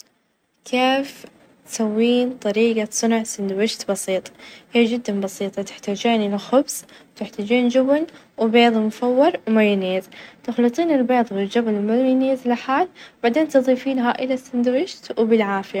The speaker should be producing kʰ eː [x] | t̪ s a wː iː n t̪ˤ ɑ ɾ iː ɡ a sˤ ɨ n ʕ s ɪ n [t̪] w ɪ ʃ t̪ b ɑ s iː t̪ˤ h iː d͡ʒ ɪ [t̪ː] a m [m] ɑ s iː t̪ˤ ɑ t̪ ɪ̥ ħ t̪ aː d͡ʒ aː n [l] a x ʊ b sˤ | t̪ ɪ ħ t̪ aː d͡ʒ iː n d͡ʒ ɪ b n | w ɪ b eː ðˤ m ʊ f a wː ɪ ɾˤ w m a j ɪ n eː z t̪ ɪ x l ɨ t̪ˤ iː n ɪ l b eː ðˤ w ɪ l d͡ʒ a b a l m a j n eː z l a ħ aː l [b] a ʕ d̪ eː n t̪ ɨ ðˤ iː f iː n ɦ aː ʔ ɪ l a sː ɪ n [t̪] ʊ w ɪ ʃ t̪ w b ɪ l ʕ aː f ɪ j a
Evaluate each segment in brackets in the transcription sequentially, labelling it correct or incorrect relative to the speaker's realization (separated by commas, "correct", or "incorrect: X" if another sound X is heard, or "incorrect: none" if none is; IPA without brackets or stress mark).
incorrect: f, incorrect: d̪, incorrect: d̪ː, incorrect: b, correct, correct, incorrect: d̪